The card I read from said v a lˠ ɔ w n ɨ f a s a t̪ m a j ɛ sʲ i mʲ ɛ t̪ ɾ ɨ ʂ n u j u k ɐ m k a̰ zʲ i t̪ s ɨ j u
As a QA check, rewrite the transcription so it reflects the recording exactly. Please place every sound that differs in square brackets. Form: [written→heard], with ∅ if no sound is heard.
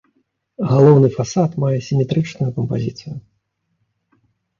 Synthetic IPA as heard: [v→ɣ] a lˠ ɔ w n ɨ f a s a t̪ m a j ɛ sʲ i mʲ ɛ t̪ ɾ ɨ [ʂ→t͡ʂ] n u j u k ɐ m [k→p] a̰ zʲ i t̪ s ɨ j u